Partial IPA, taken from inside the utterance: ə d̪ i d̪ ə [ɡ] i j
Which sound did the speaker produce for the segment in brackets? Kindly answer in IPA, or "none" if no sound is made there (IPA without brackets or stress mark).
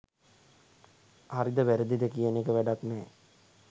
k